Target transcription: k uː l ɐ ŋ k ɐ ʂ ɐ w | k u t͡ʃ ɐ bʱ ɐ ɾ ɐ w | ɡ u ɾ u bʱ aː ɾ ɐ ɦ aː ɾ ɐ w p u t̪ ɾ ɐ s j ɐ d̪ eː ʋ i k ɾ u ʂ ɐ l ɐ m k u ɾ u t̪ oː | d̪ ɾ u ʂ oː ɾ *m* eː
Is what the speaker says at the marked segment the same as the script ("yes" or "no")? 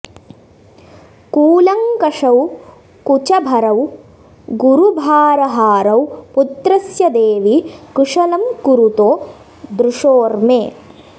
yes